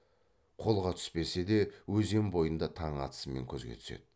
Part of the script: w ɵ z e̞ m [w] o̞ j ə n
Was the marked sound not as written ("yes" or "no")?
yes